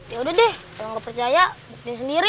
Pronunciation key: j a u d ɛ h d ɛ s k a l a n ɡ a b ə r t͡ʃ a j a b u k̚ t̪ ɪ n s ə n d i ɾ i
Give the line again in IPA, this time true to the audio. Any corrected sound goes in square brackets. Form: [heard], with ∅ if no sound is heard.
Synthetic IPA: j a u d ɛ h d ɛ [h] k a l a [ŋ] ɡ a [p] ə r t͡ʃ a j a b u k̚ t̪ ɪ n s ə n d i ɾ i